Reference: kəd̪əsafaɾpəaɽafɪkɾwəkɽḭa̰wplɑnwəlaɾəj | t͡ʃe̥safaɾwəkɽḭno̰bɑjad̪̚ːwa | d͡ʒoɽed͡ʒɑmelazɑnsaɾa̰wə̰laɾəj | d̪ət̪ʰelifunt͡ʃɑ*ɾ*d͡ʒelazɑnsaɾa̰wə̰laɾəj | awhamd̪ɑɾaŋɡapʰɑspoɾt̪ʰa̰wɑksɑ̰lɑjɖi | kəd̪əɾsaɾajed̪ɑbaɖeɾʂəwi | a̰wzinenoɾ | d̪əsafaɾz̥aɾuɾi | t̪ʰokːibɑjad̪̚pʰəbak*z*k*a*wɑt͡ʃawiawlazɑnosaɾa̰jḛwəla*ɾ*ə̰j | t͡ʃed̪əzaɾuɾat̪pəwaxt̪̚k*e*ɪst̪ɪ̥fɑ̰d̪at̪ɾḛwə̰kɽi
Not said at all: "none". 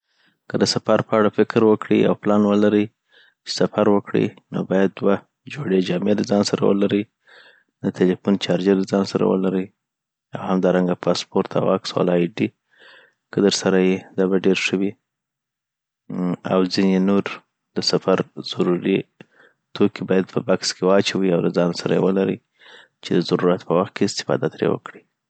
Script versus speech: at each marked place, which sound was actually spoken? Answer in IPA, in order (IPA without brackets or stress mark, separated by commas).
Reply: ɾ, s, e, ɾ, e